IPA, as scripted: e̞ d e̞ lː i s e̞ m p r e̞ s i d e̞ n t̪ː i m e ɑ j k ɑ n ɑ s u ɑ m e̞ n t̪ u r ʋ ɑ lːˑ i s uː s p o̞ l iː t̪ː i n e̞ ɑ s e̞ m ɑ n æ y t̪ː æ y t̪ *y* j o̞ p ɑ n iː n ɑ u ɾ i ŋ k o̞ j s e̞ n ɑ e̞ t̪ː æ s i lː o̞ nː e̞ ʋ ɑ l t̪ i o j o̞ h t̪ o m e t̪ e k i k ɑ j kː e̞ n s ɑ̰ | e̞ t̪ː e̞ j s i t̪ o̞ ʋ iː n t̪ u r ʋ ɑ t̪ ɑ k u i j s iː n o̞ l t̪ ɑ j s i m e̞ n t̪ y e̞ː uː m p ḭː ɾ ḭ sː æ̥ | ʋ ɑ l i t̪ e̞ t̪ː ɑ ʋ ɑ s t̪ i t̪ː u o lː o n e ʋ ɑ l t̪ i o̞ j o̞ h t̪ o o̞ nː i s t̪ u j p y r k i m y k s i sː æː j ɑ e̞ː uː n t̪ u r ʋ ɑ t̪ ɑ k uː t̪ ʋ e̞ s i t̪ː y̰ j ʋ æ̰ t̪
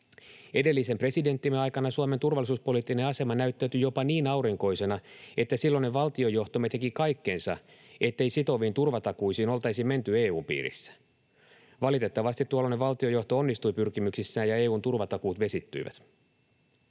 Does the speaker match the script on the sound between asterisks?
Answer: yes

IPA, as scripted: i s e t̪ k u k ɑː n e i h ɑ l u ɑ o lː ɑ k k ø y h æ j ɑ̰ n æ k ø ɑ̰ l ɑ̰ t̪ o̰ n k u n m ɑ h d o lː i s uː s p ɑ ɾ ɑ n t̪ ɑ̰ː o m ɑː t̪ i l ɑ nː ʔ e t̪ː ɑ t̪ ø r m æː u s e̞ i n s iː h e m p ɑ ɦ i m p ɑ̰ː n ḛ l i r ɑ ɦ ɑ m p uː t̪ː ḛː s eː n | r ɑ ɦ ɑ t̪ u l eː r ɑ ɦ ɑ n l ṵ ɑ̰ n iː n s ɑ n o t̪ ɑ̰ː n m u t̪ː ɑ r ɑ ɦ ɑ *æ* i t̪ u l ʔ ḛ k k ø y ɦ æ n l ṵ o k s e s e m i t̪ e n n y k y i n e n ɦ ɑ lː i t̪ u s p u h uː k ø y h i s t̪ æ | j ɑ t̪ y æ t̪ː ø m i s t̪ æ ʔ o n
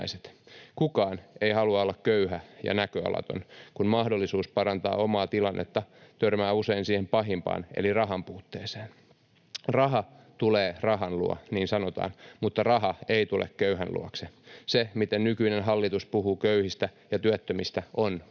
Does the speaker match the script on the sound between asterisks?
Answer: no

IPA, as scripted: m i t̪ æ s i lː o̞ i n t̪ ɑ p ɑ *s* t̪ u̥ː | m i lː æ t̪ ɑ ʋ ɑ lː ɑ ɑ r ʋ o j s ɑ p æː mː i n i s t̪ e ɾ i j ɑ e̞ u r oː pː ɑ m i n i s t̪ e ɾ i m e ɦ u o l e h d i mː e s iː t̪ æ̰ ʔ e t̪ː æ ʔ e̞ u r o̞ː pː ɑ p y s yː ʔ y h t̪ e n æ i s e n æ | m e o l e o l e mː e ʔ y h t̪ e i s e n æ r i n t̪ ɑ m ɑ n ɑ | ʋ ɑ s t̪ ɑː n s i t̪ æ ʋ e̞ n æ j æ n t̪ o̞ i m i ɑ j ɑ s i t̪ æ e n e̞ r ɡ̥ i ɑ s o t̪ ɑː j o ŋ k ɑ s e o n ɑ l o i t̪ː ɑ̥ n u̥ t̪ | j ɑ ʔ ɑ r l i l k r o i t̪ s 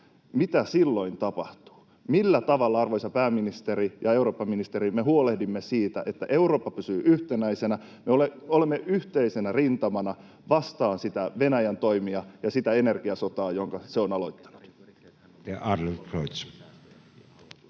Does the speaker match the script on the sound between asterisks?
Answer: no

